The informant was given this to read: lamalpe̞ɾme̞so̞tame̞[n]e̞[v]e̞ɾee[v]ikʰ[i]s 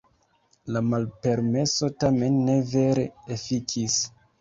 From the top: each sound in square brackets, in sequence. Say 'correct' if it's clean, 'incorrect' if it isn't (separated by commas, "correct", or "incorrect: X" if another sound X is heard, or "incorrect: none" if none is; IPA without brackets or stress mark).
incorrect: nː, correct, incorrect: f, correct